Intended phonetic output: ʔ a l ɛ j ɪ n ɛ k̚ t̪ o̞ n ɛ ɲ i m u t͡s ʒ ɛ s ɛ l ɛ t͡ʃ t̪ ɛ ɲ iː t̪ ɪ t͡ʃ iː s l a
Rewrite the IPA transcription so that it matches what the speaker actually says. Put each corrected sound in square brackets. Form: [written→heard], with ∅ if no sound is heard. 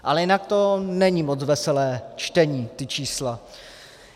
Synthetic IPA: ʔ a l ɛ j ɪ n [ɛ→a] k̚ t̪ o̞ n ɛ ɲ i m [u→o] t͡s [ʒ→v] ɛ s ɛ l [ɛ→ɛː] t͡ʃ t̪ ɛ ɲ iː t̪ ɪ t͡ʃ iː s l a